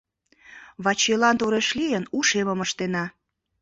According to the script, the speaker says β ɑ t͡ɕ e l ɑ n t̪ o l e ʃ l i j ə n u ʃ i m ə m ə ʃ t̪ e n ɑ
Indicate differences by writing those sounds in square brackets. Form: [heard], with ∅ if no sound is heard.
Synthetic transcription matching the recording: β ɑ t͡ɕ e l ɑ n t̪ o [ɾ] e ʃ l i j ə n u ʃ [e] m ə m ə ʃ t̪ e n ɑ

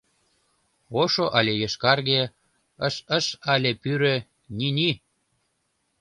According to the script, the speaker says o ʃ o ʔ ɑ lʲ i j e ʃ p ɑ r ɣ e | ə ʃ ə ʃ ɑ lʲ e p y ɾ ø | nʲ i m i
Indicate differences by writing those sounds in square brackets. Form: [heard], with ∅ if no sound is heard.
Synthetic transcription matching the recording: o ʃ o ʔ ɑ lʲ [e] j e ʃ [k] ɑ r ɣ e | ə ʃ ə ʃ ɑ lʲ e p y ɾ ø | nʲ i [n] i

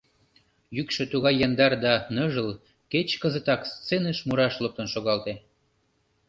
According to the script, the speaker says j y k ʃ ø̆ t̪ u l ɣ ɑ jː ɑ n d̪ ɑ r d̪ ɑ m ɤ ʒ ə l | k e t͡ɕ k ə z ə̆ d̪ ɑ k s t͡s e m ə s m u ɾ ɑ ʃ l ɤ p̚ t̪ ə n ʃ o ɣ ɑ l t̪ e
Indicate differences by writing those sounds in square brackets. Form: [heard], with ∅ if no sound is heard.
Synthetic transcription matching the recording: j y k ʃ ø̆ t̪ u [∅] ɣ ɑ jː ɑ n d̪ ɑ r d̪ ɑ [n] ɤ ʒ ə l | k e t͡ɕ k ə z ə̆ [t̪] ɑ k s t͡s e [n] ə [ʃ] m u ɾ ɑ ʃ l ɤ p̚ t̪ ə n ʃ o ɣ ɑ l t̪ e

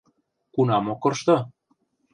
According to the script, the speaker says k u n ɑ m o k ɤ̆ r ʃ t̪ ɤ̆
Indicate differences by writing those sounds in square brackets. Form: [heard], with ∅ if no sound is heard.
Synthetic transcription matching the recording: k u n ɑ m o k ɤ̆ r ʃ t̪ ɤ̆

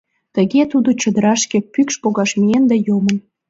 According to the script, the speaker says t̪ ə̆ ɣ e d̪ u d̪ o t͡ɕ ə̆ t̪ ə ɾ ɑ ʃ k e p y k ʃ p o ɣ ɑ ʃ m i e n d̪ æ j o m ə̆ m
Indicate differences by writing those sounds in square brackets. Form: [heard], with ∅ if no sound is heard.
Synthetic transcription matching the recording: t̪ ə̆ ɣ e [t̪] u d̪ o t͡ɕ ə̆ [d̪] ə ɾ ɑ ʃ k e p y k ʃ p o ɣ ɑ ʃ m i e n d̪ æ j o m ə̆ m

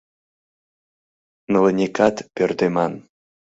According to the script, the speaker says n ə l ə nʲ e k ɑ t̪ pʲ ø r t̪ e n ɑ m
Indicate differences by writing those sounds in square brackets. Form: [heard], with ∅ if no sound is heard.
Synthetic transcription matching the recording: n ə l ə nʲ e k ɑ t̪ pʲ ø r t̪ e [m] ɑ [n]

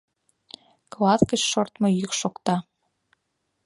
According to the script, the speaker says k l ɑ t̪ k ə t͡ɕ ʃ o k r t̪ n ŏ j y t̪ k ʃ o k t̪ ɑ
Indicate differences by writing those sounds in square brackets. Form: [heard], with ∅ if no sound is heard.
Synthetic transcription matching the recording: k l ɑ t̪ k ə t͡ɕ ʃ o [∅] r t̪ [m] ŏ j y [∅] k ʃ o k t̪ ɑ

